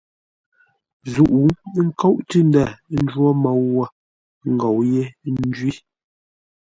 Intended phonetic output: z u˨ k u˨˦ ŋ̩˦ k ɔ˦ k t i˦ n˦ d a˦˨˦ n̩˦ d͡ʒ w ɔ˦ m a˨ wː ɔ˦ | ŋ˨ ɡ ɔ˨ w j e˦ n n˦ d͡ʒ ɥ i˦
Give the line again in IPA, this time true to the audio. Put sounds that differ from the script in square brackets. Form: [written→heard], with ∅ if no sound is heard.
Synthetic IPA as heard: z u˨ [k→ʔ] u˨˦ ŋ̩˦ k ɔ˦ [k→ʔ] t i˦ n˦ d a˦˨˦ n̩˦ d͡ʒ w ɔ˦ m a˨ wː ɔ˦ | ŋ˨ ɡ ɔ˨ w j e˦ n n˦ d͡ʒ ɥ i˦